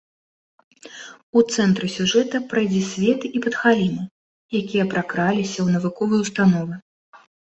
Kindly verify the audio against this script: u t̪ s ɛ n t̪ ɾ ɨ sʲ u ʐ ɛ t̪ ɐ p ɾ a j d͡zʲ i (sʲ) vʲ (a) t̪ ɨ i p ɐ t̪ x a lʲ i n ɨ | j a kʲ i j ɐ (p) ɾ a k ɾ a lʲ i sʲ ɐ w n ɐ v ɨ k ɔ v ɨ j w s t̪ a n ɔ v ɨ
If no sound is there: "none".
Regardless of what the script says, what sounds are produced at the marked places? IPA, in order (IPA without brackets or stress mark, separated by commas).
sʲ, ɛ, p